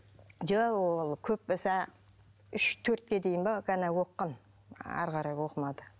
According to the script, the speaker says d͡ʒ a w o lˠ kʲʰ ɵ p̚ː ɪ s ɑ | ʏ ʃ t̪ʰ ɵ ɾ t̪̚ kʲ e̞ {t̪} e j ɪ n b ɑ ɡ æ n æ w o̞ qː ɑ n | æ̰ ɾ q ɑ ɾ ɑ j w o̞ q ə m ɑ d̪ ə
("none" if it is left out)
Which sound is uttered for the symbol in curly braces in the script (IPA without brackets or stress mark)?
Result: d̪